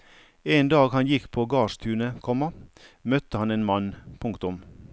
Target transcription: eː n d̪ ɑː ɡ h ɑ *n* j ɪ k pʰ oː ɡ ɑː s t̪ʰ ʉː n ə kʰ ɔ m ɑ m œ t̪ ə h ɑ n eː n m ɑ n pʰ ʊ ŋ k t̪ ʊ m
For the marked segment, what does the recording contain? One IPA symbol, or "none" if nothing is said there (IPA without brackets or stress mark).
n